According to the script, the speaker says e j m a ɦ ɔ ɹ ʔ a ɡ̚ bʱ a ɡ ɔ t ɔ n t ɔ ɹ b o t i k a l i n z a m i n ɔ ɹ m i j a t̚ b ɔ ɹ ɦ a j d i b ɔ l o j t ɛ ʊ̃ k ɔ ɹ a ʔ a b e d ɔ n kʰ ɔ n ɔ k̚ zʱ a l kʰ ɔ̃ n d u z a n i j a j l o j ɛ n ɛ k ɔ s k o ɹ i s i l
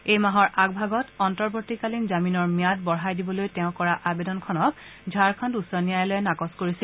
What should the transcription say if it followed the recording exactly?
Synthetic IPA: e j m a ɦ ɔ ɹ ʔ a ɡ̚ bʱ a ɡ ɔ t ɔ n t ɔ ɹ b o t i k a l i n z a m i n ɔ ɹ m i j a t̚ b ɔ ɹ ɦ a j d i b ɔ l o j t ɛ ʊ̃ k ɔ ɹ a ʔ a b e d ɔ n kʰ ɔ n ɔ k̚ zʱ a ɹ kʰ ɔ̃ n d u s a n i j a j l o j ɛ n a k ɔ s k o ɹ i s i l